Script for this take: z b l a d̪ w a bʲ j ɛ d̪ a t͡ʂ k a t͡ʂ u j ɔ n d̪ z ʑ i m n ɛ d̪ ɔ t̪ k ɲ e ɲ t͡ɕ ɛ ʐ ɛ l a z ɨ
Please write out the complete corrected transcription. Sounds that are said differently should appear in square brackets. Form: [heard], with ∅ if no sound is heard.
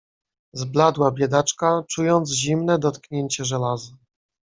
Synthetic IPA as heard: z b l a d̪ w a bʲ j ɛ d̪ a t͡ʂ k a t͡ʂ u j ɔ n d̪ z ʑ i m n ɛ d̪ ɔ t̪ k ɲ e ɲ t͡ɕ ɛ ʐ ɛ l a z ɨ